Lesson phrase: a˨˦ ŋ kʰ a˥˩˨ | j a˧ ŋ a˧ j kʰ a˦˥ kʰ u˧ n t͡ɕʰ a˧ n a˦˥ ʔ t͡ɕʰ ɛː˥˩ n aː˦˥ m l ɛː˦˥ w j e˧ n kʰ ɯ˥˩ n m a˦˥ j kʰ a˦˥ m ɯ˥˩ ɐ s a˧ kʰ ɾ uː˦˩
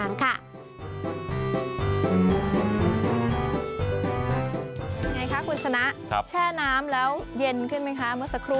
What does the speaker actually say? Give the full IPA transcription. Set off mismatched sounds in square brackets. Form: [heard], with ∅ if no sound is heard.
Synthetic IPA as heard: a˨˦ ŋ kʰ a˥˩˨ | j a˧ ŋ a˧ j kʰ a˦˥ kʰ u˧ n t͡ɕʰ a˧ n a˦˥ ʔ t͡ɕʰ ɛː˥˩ n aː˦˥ m l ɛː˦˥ w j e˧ n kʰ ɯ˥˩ n m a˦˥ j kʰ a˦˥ m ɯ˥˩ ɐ s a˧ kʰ ɾ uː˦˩